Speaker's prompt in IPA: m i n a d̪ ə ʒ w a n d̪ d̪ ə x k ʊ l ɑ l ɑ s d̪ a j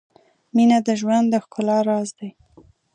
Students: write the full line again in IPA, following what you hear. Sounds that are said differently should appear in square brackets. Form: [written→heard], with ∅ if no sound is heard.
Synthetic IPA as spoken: m i n a d̪ ə ʒ w a n d̪ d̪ ə x k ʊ l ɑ [l→ɾ] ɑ [s→z] d̪ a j